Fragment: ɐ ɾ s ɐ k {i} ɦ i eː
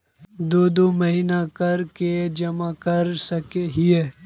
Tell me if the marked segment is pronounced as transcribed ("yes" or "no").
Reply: no